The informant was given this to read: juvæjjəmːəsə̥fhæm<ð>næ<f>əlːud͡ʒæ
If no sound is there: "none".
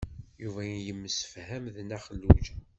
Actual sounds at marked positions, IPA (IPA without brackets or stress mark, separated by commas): ð, χ